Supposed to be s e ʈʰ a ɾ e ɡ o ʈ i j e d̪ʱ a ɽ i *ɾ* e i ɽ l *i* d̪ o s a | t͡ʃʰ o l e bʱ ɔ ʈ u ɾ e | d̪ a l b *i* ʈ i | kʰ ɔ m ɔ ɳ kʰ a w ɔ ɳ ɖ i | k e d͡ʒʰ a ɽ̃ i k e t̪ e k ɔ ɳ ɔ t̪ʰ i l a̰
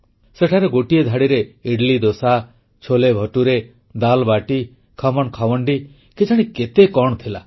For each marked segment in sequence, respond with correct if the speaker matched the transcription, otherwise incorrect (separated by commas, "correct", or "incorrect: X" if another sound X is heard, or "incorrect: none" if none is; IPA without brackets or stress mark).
correct, correct, incorrect: a